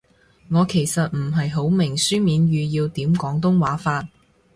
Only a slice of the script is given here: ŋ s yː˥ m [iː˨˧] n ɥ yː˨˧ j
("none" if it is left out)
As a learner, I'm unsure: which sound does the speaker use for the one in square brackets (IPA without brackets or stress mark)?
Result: iː˨˧